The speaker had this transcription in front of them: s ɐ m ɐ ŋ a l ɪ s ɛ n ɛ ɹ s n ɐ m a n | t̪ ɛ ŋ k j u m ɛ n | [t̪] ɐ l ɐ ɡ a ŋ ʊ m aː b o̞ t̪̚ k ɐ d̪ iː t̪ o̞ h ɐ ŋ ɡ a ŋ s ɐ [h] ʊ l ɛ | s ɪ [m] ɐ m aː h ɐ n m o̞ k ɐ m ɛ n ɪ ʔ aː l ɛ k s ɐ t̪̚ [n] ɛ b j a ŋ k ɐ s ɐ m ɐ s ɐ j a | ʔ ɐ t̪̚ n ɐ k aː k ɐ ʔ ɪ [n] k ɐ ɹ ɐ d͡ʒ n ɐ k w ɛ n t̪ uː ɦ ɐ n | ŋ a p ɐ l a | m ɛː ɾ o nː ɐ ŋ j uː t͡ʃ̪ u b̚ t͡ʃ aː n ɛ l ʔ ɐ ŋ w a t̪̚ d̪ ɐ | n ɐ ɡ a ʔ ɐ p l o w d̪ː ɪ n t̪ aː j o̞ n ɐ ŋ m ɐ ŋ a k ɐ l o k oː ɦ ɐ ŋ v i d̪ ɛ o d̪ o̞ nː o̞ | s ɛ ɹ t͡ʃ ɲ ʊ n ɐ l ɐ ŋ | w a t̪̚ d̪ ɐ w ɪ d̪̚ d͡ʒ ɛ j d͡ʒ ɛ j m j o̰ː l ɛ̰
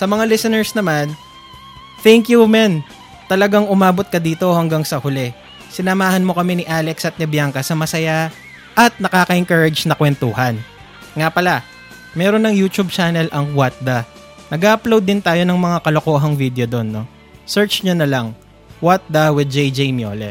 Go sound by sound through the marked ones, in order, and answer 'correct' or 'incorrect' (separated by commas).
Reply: correct, correct, incorrect, correct, incorrect